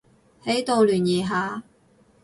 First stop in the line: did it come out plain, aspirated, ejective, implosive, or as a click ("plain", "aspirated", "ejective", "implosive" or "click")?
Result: plain